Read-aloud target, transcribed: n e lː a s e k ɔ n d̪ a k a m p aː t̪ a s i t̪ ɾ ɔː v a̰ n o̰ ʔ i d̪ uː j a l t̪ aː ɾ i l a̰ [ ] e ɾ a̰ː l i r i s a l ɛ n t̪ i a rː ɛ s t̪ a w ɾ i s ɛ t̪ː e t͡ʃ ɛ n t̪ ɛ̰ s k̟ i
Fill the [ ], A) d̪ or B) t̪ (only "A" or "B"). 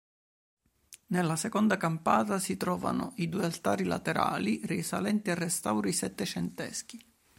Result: B